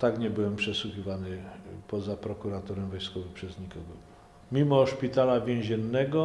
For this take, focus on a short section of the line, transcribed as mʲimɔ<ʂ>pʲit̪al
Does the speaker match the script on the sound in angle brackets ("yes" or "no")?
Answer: yes